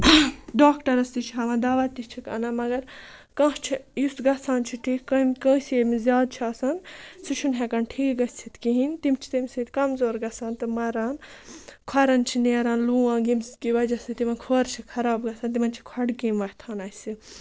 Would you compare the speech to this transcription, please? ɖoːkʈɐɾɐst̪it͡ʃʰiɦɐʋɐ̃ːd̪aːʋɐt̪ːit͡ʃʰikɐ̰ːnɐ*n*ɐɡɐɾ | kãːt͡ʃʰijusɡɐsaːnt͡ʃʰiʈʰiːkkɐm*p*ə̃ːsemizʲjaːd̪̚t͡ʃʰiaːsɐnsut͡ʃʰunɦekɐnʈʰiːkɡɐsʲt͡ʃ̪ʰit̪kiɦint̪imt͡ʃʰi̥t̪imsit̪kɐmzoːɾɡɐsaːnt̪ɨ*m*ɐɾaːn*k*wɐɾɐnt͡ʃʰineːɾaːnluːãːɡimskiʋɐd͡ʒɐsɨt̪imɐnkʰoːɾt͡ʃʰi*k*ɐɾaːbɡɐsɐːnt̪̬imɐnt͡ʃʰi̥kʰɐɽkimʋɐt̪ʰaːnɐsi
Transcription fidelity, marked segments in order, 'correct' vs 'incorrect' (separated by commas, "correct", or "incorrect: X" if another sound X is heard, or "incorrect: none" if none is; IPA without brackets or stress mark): incorrect: m, incorrect: k, correct, incorrect: kʰ, incorrect: kʰ